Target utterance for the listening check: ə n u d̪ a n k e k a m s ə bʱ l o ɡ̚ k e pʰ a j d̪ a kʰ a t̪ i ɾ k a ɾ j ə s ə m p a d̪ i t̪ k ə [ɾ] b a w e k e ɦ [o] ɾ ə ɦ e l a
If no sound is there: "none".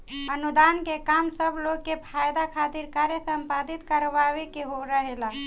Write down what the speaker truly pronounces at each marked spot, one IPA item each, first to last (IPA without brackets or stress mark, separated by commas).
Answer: ɾ, o